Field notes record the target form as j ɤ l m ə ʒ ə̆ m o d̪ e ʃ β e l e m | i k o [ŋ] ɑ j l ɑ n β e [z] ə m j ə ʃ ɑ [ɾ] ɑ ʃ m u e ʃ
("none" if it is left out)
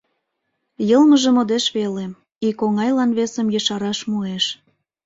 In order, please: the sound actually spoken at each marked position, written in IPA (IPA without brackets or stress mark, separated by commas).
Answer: ŋ, s, ɾ